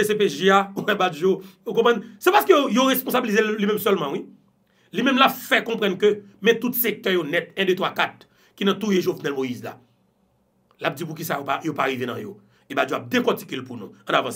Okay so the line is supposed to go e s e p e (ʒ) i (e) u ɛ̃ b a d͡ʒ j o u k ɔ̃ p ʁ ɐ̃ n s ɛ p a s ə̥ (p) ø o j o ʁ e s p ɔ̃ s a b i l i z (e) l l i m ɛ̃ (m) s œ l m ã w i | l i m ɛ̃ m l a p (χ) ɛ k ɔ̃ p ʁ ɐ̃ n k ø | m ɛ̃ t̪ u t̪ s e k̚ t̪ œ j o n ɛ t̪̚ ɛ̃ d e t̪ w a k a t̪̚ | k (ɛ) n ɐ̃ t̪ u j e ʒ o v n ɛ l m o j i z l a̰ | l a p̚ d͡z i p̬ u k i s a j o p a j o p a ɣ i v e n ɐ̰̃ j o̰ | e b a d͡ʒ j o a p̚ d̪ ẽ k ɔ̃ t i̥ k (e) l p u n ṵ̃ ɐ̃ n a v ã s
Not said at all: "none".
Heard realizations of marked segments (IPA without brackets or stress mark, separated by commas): ʒ, a, k, e, m, f, i, e